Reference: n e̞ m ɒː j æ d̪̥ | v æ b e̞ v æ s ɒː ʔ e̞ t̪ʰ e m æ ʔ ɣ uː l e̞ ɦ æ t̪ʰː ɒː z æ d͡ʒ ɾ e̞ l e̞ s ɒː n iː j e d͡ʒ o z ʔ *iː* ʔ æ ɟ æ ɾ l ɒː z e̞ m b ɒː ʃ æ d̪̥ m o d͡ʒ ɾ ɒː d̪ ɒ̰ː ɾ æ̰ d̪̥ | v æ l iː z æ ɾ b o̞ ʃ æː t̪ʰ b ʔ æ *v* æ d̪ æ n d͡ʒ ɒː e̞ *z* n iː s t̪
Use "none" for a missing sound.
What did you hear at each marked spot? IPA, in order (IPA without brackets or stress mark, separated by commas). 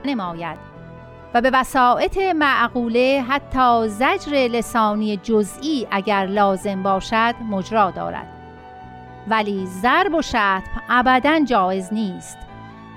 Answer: iː, b, z